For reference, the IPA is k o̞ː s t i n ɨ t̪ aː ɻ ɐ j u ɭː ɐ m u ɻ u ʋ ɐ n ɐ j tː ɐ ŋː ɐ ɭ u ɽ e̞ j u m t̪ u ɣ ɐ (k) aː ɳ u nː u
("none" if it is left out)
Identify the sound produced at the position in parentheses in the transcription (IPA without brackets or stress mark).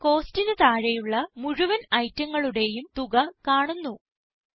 k